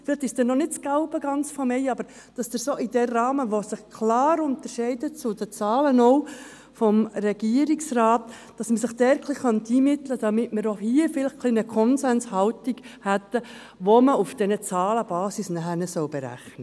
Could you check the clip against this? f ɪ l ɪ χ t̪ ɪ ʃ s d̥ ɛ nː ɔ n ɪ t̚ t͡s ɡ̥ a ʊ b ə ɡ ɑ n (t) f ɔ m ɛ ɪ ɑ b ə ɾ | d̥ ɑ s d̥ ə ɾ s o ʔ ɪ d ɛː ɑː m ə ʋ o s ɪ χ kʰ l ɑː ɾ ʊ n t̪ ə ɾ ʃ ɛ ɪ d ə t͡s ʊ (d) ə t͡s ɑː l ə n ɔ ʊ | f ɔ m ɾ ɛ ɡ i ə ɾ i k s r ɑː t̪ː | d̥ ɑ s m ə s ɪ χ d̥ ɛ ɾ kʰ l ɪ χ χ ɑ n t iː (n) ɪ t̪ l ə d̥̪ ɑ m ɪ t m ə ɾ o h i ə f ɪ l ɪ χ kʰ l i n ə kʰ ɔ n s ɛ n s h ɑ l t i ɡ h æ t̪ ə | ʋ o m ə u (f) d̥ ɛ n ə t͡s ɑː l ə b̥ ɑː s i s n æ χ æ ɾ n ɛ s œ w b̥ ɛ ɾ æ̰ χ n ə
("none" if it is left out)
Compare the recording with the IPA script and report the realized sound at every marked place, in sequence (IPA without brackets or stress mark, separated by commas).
t͡s, d, m, f